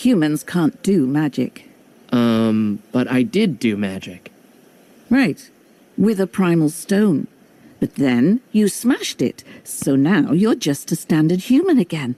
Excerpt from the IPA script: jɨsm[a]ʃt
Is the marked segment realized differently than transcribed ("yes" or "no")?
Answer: yes